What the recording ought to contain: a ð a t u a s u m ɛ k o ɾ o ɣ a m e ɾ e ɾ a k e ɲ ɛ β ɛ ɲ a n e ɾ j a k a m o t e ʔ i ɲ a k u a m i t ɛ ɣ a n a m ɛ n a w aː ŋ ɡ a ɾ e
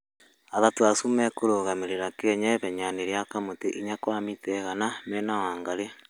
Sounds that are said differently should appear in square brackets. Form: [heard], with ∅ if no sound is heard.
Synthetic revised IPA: a ð a t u a s u m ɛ k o ɾ o ɣ a m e ɾ e ɾ a k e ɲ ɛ β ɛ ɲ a n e ɾ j a k a m o t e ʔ i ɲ a k [w] a m i t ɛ ɣ a n a m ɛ n a w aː ŋ ɡ a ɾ e